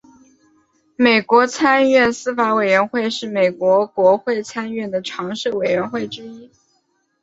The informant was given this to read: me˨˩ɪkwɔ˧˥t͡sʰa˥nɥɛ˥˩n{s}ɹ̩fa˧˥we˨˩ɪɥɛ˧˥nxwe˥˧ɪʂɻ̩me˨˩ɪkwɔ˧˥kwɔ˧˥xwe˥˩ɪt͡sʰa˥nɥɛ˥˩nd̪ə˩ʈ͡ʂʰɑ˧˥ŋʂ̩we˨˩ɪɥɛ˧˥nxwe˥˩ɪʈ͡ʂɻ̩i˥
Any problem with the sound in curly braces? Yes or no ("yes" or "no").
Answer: no